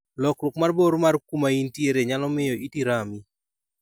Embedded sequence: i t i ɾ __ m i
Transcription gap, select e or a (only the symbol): a